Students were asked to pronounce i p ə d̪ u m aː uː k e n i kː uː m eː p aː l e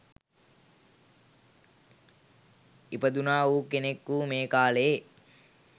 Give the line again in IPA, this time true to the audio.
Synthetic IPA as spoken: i p ə d̪ u n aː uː k e n e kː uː m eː k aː l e